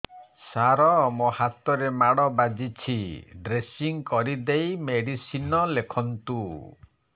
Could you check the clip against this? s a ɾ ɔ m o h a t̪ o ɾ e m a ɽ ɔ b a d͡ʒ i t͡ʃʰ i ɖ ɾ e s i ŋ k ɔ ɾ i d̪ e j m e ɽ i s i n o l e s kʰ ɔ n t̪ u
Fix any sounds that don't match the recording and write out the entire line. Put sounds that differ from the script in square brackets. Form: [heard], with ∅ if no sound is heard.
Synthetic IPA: s a ɾ ɔ m o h a t̪ [ɔ] ɾ e m a ɽ ɔ b a d͡ʒ i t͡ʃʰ i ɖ ɾ e s i ŋ k ɔ ɾ i d̪ e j m e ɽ i s i n [ɔ] l e [∅] kʰ ɔ n t̪ u